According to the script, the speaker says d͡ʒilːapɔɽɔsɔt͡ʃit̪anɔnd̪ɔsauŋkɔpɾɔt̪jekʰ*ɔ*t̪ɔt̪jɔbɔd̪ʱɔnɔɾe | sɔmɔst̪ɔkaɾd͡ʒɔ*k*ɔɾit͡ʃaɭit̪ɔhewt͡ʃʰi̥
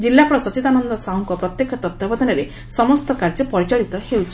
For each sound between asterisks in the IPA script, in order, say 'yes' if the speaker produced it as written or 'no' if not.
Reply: yes, no

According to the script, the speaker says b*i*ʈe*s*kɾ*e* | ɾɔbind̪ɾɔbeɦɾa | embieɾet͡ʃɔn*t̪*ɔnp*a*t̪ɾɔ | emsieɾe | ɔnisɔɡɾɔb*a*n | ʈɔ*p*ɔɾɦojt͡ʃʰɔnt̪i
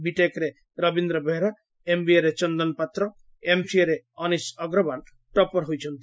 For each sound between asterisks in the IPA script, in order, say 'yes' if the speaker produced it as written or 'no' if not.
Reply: yes, no, yes, no, yes, yes, yes

